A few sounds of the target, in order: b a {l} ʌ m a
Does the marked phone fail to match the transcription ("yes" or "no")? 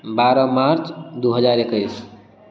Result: yes